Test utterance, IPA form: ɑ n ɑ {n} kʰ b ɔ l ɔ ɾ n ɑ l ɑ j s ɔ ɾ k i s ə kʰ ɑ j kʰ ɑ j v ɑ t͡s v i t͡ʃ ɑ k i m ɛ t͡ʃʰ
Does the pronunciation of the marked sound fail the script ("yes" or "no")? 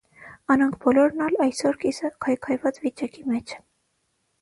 yes